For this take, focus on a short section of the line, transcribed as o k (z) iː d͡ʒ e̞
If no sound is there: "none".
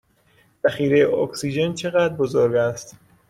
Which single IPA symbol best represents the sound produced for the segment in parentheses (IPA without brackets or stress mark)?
s